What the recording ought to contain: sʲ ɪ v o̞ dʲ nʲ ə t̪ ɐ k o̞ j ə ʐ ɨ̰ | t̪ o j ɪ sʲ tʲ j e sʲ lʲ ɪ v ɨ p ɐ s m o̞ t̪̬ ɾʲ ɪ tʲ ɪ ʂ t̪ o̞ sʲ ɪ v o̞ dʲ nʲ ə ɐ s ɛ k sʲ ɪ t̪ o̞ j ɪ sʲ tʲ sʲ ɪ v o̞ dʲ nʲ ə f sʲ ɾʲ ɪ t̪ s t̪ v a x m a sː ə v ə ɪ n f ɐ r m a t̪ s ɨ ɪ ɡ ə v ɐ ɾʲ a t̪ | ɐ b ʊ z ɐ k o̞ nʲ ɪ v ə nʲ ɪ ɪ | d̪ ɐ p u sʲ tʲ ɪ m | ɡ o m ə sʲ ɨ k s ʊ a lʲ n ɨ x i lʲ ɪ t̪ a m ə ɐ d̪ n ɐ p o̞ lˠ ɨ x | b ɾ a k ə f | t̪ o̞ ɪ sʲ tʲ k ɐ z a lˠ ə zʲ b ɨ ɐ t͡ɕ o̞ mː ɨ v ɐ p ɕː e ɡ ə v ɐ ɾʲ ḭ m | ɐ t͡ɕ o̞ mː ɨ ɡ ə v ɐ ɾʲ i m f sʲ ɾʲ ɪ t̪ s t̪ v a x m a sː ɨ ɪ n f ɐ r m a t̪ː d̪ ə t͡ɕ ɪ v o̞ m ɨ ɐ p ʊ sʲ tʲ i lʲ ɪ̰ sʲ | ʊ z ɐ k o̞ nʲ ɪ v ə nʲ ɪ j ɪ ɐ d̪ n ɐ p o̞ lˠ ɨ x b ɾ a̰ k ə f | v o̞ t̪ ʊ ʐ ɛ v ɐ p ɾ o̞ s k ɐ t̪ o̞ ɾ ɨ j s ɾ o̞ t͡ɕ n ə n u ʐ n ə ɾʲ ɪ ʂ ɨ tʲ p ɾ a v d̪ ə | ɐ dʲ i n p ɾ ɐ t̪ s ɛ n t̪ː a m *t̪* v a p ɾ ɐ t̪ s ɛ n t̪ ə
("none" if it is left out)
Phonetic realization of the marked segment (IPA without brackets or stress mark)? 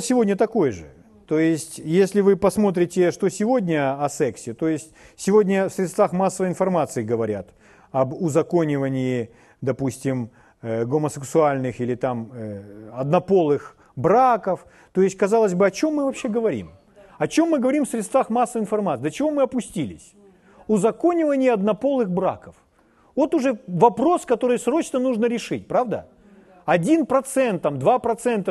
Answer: d̪